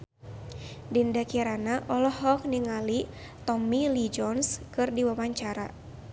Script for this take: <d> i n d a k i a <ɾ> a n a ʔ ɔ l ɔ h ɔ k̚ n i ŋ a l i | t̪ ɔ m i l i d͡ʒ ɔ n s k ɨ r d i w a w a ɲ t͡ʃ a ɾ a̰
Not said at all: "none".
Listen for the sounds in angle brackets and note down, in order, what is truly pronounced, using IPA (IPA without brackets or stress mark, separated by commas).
d, ɾ